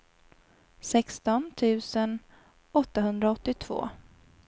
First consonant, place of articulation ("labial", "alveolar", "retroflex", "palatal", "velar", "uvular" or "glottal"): alveolar